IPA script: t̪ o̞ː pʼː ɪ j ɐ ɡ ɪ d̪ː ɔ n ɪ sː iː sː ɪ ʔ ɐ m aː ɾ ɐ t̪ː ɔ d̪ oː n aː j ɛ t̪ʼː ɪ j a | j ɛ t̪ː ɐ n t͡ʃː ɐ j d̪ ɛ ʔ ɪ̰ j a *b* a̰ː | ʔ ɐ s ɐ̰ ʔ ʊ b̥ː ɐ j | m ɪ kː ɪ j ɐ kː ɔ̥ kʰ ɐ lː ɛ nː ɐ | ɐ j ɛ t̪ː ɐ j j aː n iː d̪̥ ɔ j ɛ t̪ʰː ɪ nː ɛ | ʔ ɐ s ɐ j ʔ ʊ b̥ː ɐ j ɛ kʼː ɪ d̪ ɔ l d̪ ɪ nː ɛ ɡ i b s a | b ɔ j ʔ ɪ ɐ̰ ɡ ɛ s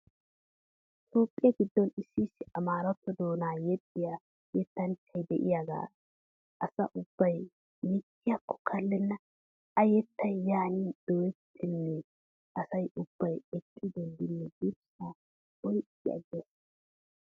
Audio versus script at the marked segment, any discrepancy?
yes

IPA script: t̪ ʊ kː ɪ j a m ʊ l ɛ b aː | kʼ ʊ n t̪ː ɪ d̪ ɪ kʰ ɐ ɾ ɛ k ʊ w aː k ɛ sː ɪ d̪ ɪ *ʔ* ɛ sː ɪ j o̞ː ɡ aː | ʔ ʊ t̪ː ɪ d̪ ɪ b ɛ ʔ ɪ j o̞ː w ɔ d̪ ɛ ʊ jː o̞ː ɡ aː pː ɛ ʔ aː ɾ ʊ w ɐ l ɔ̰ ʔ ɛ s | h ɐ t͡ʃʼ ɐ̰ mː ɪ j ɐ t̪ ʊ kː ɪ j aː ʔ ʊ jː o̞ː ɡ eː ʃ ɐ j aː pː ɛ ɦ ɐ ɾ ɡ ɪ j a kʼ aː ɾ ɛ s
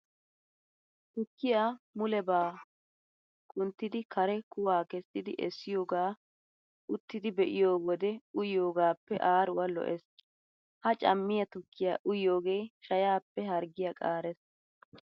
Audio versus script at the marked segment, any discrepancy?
no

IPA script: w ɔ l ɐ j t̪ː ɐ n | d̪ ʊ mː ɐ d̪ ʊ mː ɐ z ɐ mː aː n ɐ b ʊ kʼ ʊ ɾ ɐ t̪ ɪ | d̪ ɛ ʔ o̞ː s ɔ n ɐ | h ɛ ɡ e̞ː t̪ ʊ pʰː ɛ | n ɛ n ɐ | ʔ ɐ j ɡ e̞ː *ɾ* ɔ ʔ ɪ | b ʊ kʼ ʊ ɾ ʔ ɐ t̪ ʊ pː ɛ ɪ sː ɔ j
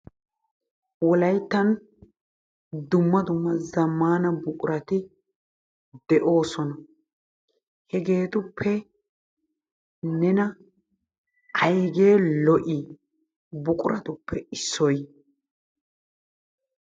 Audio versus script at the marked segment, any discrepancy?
yes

